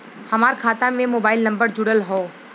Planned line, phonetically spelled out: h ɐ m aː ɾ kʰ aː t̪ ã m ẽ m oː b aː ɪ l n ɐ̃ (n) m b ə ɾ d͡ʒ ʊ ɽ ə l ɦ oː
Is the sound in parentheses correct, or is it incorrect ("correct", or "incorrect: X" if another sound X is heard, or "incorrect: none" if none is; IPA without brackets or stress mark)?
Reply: incorrect: none